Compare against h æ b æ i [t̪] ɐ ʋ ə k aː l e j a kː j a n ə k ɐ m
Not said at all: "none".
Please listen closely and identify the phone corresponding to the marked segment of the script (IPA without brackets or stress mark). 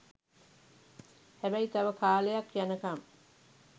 t̪